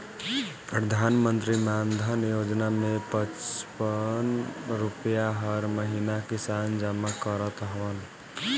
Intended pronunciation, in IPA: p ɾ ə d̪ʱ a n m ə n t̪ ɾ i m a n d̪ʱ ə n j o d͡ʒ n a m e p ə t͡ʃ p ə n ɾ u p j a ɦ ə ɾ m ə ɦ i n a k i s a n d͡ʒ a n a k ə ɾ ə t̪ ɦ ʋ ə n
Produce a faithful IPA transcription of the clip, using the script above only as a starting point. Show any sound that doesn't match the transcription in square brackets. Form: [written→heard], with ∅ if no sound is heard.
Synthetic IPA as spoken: p ɾ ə d̪ʱ a n m ə n t̪ ɾ i m a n d̪ʱ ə n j o d͡ʒ n a m e p ə t͡ʃ p ə n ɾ u p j a ɦ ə ɾ m ə ɦ i n a k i s a n d͡ʒ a [n→m] a k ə ɾ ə t̪ ɦ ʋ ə n